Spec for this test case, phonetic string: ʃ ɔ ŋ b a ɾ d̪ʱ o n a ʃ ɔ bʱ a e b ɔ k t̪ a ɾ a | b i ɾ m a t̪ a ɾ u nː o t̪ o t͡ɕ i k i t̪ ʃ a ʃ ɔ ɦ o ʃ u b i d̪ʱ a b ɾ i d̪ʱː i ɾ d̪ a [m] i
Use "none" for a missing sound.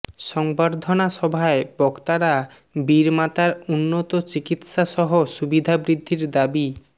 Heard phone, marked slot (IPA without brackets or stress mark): b